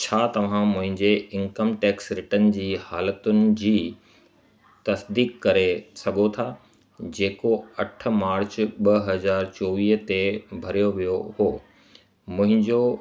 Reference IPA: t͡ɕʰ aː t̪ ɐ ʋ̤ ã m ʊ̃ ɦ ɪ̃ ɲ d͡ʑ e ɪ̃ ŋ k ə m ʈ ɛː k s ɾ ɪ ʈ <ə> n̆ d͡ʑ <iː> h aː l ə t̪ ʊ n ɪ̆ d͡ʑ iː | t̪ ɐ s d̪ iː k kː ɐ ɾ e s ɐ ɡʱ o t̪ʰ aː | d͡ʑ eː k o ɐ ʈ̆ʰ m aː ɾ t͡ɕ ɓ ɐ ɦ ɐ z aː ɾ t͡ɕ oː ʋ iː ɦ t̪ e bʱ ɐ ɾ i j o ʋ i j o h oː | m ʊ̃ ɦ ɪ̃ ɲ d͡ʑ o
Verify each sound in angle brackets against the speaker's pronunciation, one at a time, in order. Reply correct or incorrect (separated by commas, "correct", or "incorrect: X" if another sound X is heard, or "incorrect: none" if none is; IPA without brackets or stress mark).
correct, correct